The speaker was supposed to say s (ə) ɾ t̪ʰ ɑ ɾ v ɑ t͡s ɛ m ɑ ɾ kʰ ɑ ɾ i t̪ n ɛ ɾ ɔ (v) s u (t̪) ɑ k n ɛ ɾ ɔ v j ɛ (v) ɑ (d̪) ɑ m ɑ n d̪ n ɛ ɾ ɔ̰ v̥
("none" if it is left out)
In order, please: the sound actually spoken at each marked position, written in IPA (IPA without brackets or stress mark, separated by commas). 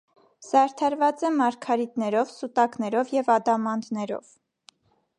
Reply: ɑ, v, t̪, v, d̪